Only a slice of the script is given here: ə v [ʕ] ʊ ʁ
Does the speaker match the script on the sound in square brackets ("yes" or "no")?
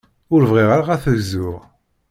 no